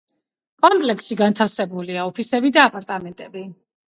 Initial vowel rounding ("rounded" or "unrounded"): rounded